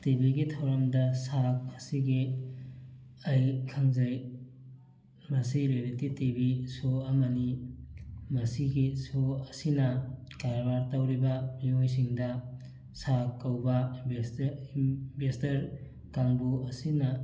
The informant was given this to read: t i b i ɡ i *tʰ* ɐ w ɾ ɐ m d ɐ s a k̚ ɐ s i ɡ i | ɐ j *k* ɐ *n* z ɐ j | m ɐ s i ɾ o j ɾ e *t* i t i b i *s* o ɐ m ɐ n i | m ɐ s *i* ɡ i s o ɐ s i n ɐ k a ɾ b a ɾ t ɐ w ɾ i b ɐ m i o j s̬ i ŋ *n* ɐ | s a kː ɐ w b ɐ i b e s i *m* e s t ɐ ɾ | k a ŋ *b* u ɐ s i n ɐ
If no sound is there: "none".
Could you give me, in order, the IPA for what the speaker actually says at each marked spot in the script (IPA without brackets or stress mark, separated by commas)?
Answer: tʰ, kʰ, ŋ, t, s, i, d, b, b